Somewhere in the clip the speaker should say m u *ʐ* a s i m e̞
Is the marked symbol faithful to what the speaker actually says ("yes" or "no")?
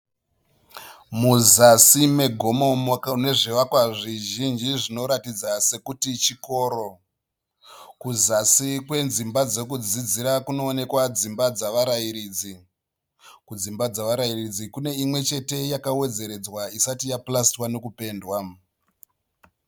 no